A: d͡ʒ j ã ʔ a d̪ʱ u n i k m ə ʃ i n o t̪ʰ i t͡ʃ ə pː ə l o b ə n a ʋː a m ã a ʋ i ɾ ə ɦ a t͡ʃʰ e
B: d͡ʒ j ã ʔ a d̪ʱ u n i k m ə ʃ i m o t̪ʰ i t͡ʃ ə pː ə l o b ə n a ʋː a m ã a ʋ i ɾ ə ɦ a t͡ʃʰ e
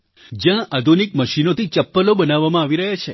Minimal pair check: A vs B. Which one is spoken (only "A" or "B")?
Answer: A